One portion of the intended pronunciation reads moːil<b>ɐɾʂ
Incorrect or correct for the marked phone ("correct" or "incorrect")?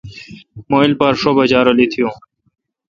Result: incorrect